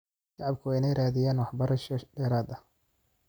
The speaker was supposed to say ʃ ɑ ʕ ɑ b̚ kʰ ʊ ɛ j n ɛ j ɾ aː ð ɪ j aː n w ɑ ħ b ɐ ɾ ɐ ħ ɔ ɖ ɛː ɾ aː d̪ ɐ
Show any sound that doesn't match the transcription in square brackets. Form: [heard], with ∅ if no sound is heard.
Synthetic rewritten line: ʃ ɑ ʕ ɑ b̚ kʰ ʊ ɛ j n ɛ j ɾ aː ð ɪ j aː n w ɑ ħ b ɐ ɾ ɐ [ʃ] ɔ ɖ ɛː ɾ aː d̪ ɐ